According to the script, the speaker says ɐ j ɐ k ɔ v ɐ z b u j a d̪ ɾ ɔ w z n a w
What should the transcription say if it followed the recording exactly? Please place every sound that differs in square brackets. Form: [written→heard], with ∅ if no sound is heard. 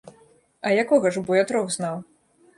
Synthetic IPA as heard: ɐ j [ɐ→a] k ɔ [v→ɣ] ɐ [z→ʐ] b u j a [d̪→t̪] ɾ ɔ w z n a w